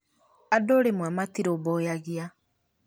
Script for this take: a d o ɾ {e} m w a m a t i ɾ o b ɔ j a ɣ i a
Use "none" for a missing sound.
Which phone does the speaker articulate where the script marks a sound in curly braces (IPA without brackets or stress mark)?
e